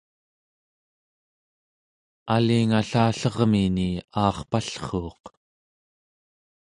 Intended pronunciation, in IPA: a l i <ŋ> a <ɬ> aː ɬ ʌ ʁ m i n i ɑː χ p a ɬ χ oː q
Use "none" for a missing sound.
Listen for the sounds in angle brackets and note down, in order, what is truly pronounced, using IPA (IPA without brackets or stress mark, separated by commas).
ŋ, ɬ